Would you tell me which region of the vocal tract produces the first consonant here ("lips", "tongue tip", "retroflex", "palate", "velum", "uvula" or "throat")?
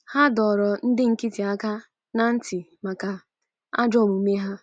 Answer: throat